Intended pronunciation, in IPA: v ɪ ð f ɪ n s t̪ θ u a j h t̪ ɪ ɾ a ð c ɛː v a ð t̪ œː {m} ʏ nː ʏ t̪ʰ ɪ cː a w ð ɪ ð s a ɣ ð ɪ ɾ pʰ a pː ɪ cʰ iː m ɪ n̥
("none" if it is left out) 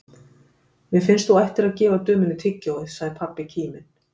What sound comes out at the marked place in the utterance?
m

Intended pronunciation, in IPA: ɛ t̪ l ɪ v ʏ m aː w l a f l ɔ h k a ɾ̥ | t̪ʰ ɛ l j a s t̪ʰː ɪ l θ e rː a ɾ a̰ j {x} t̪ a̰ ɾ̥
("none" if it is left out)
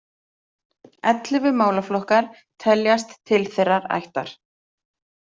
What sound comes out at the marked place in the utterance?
h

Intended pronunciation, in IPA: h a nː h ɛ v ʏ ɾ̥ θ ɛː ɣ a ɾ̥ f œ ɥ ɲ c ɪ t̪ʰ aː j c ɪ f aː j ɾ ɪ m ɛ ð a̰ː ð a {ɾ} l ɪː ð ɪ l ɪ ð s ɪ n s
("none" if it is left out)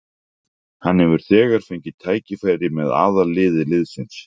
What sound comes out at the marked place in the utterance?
none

